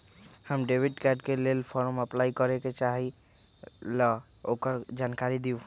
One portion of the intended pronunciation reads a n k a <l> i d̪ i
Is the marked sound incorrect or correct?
incorrect